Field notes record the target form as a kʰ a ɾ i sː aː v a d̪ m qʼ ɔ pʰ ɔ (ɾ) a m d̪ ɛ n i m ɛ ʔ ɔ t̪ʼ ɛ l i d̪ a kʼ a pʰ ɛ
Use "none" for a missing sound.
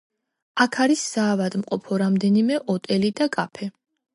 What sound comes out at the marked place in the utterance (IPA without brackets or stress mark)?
ɾ